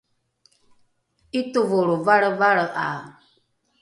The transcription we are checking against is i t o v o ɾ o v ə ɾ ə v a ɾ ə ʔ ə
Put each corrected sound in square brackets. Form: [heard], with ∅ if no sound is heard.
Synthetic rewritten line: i t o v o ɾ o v [a] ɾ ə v a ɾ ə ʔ [a]